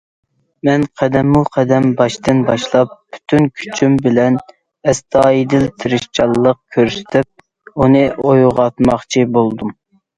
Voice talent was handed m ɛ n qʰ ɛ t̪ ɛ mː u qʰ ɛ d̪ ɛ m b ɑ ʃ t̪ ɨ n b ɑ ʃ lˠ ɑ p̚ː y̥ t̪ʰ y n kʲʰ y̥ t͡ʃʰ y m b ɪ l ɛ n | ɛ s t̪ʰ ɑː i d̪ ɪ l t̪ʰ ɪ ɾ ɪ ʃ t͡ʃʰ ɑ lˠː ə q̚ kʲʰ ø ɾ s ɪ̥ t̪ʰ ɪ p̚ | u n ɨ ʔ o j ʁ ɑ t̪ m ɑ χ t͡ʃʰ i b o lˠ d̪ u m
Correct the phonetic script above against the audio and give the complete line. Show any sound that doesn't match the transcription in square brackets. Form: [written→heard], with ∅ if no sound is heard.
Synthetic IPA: m ɛ n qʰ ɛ [t̪→d̪] ɛ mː u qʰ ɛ d̪ ɛ m b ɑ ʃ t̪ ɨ n b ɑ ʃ lˠ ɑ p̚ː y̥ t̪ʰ y n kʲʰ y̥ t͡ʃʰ y m b ɪ l ɛ n | ɛ s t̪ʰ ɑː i d̪ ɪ l t̪ʰ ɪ ɾ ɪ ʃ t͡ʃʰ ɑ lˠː ə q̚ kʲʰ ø ɾ s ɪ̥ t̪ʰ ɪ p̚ | u n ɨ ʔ o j ʁ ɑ t̪ m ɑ χ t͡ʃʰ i b o lˠ d̪ u m